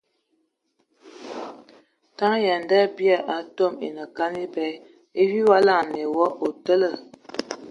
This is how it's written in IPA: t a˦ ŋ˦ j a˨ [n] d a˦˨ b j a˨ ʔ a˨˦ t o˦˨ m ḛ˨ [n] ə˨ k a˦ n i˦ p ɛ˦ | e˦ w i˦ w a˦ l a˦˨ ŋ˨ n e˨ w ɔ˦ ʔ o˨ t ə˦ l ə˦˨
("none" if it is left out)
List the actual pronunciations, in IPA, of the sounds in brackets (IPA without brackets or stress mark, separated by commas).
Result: n, n